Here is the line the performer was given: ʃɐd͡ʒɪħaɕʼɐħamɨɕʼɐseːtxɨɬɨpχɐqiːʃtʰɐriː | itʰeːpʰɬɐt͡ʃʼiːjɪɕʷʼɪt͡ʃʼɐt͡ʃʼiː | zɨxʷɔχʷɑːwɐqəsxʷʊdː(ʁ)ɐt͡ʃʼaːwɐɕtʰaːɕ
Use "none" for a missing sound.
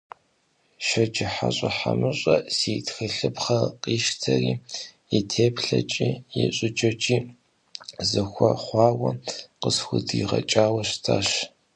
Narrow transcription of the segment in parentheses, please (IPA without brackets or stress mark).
ʁ